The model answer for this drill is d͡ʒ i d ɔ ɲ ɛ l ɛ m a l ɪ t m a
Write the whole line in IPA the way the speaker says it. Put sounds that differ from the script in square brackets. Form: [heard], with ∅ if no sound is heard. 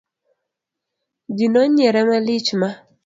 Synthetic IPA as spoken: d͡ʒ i [n] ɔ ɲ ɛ [ɾ] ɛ m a l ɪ [t͡ʃ] m a